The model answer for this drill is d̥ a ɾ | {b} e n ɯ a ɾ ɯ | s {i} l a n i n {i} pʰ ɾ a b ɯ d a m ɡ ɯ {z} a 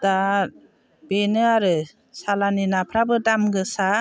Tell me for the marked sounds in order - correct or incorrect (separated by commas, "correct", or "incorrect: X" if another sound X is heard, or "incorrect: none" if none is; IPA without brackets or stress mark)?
correct, incorrect: a, incorrect: a, incorrect: s